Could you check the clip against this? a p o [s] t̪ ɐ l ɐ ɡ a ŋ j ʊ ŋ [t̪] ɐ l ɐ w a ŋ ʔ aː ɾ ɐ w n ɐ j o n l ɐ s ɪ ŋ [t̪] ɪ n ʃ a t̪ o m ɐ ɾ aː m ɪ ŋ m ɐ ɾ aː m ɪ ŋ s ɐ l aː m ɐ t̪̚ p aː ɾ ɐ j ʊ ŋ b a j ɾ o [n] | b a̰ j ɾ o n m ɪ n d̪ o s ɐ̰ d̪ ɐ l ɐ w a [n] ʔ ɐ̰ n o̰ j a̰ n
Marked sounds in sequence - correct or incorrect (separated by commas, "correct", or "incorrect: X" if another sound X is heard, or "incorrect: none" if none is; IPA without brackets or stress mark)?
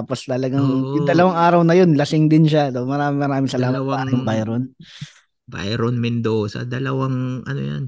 correct, incorrect: d̪, incorrect: d̪, correct, incorrect: ŋ